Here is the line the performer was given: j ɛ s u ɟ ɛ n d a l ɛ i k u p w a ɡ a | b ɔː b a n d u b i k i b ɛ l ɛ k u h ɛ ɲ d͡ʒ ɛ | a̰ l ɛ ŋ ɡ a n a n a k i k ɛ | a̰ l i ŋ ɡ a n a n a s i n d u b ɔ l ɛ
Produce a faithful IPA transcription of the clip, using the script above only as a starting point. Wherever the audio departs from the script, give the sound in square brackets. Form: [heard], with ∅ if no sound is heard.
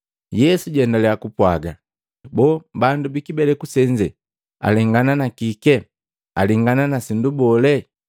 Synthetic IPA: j ɛ s u ɟ ɛ n d a l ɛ [a] k u p w a ɡ a | b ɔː b a n d u b i k i b ɛ l ɛ k u [s] ɛ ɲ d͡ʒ ɛ | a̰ l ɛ ŋ ɡ a n a n a k i k ɛ | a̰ l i ŋ ɡ a n a n a s i n d u b ɔ l ɛ

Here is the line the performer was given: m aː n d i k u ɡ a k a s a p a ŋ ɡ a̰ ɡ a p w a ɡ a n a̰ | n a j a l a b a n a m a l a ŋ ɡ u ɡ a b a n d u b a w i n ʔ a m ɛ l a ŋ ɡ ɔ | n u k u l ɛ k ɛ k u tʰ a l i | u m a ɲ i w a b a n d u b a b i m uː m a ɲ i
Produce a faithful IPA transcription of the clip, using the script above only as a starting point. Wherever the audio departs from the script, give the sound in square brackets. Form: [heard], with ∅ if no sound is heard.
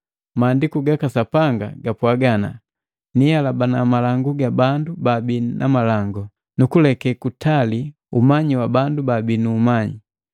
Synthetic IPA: m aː n d i k u ɡ a k a s a p a ŋ ɡ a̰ ɡ a p w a ɡ a n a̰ | n [i] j a l a b a n a m a l a ŋ ɡ u ɡ a b a n d u b a [b] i n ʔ a m [a] l a ŋ ɡ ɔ | n u k u l ɛ k ɛ k u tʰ a l i | u m a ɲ i w a b a n d u b a b i [n] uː m a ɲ i

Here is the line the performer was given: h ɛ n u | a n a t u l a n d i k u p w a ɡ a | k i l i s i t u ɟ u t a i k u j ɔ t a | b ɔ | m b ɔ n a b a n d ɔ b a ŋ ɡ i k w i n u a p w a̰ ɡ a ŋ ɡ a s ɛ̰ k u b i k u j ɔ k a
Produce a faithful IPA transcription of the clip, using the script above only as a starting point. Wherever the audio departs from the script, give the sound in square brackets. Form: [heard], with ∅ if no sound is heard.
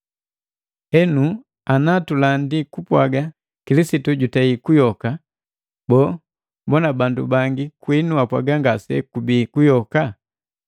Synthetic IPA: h ɛ n u | a n a t u l a n d i k u p w a ɡ a | k i l i s i t u ɟ u t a i k u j ɔ [k] a | b ɔ | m b ɔ n a b a n d [u] b a ŋ ɡ i k w i n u a p w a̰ ɡ a ŋ ɡ a s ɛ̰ k u b i k u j ɔ k a

